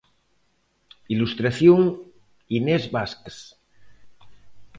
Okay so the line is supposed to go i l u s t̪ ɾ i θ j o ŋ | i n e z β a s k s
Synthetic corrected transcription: i l u s t̪ ɾ a θ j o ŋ | i n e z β a s k s